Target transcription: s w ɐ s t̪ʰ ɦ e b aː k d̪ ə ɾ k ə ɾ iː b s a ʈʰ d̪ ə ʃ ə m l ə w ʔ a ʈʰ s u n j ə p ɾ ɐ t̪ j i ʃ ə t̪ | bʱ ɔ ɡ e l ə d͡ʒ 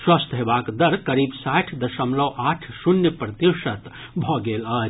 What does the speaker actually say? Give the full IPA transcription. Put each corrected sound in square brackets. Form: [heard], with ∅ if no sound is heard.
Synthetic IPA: s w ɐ s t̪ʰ ɦ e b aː k d̪ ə ɾ k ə ɾ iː b s a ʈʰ d̪ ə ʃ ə m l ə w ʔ a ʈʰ s u n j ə p ɾ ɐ t̪ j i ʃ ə t̪ | bʱ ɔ ɡ e l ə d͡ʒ